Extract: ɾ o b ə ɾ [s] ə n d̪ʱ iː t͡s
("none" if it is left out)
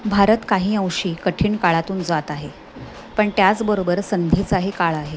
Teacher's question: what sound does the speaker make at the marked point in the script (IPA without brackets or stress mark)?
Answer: s